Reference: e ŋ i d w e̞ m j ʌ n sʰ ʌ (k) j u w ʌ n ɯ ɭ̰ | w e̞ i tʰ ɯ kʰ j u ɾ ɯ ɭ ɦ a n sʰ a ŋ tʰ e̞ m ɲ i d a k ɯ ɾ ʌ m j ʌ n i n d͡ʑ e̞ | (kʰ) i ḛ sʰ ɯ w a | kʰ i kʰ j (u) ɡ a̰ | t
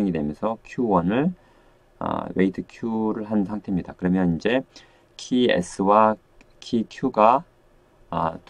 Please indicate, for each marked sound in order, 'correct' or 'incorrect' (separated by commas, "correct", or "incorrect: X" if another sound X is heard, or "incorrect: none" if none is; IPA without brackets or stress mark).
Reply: incorrect: kʰ, correct, correct